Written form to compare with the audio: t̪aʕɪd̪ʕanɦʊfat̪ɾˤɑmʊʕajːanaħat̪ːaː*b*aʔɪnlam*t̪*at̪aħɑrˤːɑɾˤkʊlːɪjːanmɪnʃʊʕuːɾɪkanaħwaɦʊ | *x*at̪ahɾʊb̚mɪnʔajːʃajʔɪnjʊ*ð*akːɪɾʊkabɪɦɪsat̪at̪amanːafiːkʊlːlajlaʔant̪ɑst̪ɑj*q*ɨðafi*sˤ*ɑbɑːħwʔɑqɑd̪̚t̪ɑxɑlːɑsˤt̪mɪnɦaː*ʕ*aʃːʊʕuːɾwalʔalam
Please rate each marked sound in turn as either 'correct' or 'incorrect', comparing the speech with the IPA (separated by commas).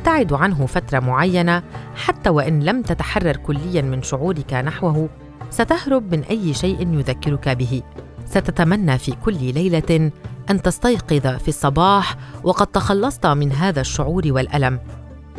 incorrect, correct, incorrect, correct, correct, incorrect, incorrect